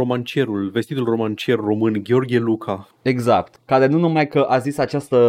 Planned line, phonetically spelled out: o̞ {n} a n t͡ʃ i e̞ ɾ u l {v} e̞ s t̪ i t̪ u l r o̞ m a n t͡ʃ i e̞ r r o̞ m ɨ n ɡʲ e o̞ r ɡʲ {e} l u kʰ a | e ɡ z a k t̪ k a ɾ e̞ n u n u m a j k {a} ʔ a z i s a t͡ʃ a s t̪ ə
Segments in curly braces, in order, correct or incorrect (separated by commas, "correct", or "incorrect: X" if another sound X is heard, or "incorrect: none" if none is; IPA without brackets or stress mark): incorrect: m, correct, correct, incorrect: ə